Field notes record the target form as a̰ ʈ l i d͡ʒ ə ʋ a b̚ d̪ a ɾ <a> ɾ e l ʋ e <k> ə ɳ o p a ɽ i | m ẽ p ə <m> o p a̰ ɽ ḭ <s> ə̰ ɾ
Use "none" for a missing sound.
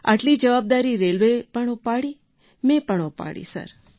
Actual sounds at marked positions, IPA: i, p, ɳ, s

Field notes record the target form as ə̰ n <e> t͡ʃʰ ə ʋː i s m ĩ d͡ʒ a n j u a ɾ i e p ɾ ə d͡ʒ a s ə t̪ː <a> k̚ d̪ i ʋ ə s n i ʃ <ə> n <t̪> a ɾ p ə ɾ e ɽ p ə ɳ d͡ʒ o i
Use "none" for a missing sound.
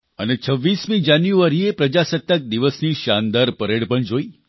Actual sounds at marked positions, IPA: e, ə, a, d̪

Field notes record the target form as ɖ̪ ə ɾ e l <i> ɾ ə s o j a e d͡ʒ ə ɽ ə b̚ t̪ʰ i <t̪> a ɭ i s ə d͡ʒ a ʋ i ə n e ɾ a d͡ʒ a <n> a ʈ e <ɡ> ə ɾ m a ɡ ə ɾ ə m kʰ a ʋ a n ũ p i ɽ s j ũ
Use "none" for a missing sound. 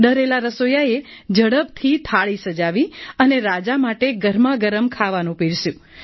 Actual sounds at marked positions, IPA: a, t̪ʰ, m, ɡ

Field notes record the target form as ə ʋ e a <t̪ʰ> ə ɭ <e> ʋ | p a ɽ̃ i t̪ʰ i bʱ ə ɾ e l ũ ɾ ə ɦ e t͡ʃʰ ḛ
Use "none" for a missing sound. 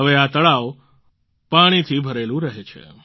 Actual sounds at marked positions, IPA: t̪, a

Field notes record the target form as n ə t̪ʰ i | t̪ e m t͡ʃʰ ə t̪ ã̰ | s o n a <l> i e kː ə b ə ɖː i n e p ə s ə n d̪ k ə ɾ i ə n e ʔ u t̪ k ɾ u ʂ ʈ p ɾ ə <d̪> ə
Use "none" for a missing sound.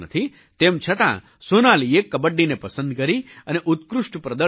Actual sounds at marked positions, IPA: l, d̪

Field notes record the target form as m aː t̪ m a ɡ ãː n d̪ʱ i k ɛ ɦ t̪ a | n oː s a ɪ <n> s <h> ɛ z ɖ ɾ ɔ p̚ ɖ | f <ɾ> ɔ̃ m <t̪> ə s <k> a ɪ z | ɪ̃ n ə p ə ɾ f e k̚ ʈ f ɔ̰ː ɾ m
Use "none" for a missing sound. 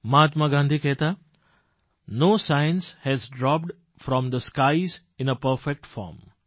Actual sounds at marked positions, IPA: n, h, ɾ, d̪, k

